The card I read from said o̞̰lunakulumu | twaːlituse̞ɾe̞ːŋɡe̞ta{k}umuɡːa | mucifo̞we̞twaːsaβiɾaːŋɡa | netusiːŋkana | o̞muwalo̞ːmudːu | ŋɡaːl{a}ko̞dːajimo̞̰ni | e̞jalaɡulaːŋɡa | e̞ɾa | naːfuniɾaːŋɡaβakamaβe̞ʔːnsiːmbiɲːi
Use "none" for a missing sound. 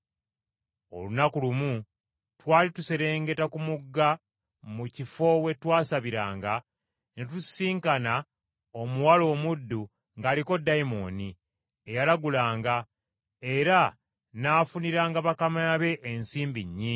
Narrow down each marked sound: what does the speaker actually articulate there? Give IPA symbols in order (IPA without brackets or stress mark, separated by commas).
k, i